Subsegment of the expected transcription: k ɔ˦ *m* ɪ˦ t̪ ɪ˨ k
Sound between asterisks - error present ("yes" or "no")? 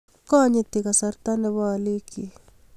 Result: yes